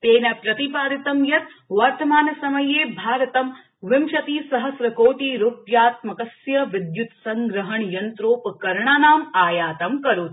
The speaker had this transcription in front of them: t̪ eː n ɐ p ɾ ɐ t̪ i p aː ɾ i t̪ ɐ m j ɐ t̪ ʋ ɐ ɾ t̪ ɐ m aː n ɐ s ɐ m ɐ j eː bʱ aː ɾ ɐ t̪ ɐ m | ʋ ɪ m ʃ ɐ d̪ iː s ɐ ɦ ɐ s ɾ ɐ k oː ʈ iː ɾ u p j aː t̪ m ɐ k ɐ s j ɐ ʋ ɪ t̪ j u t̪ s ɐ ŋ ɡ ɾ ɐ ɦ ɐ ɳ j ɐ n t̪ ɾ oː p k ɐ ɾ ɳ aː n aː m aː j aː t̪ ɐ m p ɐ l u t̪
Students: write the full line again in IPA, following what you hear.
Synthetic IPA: t̪ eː n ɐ p ɾ ɐ t̪ i p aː ɾ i t̪ ɐ m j ɐ t̪ ʋ ɐ ɾ t̪ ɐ m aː n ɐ s ɐ m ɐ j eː bʱ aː ɾ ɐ t̪ ɐ m | ʋ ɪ m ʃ ɐ t̪ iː s ɐ ɦ ɐ s ɾ ɐ k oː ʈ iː ɾ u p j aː t̪ m ɐ k ɐ s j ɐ ʋ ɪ d̪ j u t̪ s ɐ ŋ ɡ ɾ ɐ ɦ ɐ ɳ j ɐ n t̪ ɾ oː p k ɐ ɾ ɳ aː n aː m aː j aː t̪ ɐ m k ɐ ɾ u t̪

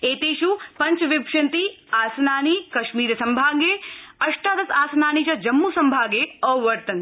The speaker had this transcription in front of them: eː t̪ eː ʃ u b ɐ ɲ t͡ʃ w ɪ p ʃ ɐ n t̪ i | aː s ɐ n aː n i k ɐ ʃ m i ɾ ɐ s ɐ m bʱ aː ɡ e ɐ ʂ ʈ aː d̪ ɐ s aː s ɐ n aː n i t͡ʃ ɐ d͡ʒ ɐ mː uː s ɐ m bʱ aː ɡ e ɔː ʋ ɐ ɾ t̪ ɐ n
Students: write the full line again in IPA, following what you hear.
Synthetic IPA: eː t̪ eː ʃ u p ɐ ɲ t͡ʃ ʋ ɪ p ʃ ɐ n t̪ i | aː s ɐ n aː n i k ɐ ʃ m iː ɾ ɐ s ɐ m bʱ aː ɡ e ɐ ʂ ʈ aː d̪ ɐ s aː s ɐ n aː n i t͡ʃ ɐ d͡ʒ ɐ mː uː s ɐ m bʱ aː ɡ e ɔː ʋ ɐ ɾ t̪ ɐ n

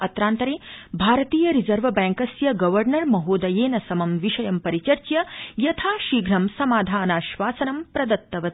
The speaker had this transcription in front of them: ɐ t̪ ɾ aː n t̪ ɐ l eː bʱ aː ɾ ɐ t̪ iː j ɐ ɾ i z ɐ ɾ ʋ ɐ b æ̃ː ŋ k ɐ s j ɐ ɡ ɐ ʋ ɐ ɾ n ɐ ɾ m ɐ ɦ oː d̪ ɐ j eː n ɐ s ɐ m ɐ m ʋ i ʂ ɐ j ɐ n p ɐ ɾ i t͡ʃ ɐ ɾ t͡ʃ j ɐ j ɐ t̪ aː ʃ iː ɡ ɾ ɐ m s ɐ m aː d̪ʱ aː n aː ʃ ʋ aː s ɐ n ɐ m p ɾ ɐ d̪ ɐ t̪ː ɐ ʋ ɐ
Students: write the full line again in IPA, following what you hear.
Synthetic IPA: ɐ t̪ ɾ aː n t̪ ɐ ɾ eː bʱ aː ɾ ɐ t̪ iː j ɐ ɾ i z ɐ ɾ ʋ ɐ b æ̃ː ŋ k ɐ s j ɐ ɡ ɐ ʋ ɐ ɾ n ɐ ɾ m ɐ ɦ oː d̪ ɐ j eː n ɐ s ɐ m ɐ m ʋ i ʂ ɐ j ɐ m p ɐ ɾ i t͡ʃ ɐ ɾ t͡ʃ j ɐ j ɐ t̪ʰ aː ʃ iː ɡ ɾ ɐ m s ɐ m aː d̪ʱ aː n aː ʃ ʋ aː s ɐ n ɐ m p ɾ ɐ d̪ ɐ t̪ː ɐ ʋ ɐ

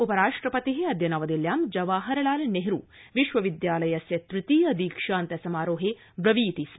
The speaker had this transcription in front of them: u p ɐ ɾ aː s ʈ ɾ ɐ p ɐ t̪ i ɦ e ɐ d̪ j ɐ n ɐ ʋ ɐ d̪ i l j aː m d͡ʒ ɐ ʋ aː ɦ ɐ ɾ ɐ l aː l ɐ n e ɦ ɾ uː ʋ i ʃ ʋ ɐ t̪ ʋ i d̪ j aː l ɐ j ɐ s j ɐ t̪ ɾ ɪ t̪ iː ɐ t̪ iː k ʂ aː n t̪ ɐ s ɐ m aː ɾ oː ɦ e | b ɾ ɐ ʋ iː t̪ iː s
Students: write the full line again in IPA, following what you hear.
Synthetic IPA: u p ɐ ɾ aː ʂ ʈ ɾ ɐ p ɐ t̪ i ɦ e ɐ d̪ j ɐ n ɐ ʋ ɐ d̪ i l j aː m d͡ʒ ɐ ʋ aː ɦ ɐ ɾ ɐ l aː l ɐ n e ɦ ɾ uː ʋ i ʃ ʋ ɐ ʋ i d̪ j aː l ɐ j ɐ s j ɐ t̪ ɾ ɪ t̪ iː ɐ d̪ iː k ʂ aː n t̪ ɐ s ɐ m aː ɾ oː ɦ e | b ɾ ɐ ʋ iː t̪ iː s

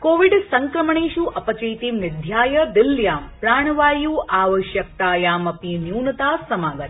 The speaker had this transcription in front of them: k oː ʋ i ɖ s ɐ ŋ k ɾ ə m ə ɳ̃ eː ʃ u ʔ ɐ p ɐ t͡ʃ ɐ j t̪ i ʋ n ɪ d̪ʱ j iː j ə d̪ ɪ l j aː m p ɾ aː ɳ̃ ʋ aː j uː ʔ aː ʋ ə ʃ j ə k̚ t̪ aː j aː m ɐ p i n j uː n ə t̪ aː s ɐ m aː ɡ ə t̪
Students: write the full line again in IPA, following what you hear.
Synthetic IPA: k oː ʋ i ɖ s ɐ ŋ k ɾ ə m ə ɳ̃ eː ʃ u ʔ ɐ p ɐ t͡ʃ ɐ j t̪ i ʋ n ɪ d̪ʱ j aː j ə d̪ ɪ l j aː m p ɾ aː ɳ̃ ʋ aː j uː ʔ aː ʋ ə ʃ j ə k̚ t̪ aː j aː m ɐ p i n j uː n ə t̪ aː s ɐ m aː ɡ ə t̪

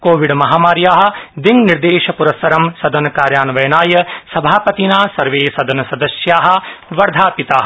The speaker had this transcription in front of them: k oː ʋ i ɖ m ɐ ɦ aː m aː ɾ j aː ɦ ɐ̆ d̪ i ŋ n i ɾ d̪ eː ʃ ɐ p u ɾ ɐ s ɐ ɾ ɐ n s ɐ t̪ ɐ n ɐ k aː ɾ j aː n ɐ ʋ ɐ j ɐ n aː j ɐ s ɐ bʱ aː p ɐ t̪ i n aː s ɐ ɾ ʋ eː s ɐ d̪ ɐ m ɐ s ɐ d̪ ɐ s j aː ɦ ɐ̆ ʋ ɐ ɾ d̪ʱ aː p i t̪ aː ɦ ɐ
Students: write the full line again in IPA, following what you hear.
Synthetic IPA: k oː ʋ i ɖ m ɐ ɦ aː m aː ɾ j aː ɦ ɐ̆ d̪ i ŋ n i ɾ d̪ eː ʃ ɐ p u ɾ ɐ s ɐ ɾ ɐ m s ɐ d̪ ɐ n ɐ k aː ɾ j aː n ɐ ʋ ɐ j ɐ n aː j ɐ s ɐ bʱ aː p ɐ t̪ i n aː s ɐ ɾ ʋ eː s ɐ d̪ ɐ n ɐ s ɐ d̪ ɐ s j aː ɦ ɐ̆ ʋ ɐ ɾ d̪ʱ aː p i t̪ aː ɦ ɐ

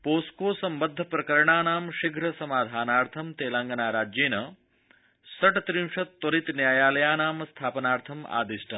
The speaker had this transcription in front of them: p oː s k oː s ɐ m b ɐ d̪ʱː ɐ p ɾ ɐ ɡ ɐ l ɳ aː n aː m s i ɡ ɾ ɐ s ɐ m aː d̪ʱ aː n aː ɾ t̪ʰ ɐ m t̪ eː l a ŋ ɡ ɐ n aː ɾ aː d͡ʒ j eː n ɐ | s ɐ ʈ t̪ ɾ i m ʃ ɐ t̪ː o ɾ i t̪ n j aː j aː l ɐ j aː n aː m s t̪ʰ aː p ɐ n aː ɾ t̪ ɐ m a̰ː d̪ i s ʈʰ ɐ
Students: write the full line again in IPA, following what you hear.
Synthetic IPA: p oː s k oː s ɐ m b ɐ d̪ʱː ɐ p ɾ ɐ k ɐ ɾ ɳ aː n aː m ʃ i ɡ ɾ ɐ s ɐ m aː d̪ʱ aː n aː ɾ t̪ʰ ɐ m t̪ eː l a ŋ ɡ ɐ n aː ɾ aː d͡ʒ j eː n ɐ | s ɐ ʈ t̪ ɾ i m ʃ ɐ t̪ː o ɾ i t̪ n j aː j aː l ɐ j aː n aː m s t̪ʰ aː p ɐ n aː ɾ t̪ʰ ɐ m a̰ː d̪ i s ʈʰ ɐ

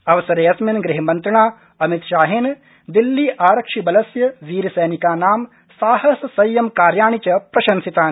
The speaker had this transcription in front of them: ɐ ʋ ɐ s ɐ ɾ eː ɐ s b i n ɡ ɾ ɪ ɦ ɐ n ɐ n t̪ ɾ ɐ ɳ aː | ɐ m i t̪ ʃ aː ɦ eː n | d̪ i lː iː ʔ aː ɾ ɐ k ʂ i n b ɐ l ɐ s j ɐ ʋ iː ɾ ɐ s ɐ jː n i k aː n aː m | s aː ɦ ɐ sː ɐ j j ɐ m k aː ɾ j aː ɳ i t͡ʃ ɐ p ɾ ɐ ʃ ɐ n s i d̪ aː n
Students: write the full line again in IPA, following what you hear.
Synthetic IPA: ɐ ʋ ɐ s ɐ ɾ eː ɐ s m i n ɡ ɾ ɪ ɦ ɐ m ɐ n t̪ ɾ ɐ ɳ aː | ɐ m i t̪ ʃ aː ɦ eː n | d̪ i lː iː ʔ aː ɾ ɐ k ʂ i b ɐ l ɐ s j ɐ ʋ iː ɾ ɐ s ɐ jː n i k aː n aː m | s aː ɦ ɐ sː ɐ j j ɐ m k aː ɾ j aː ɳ i t͡ʃ ɐ p ɾ ɐ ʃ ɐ n s i t̪ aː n

